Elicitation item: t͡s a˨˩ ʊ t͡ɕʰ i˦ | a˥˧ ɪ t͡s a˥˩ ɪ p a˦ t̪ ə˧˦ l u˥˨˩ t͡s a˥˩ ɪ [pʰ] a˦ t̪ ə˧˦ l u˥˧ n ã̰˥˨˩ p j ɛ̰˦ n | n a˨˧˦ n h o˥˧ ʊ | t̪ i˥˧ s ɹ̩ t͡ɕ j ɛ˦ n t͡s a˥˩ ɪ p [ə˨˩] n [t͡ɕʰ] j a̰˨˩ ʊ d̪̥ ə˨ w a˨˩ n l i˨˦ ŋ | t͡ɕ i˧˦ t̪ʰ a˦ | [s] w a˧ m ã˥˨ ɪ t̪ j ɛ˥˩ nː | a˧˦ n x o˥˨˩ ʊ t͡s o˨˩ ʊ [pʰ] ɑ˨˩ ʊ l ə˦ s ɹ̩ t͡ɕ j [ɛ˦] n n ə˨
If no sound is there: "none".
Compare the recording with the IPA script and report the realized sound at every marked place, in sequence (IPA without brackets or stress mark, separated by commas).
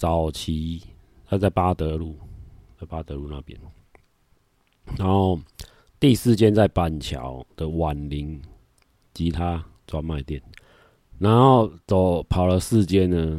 p, a˨˩, t͡ɕʰ, t͡s, pʰ, ɛ˦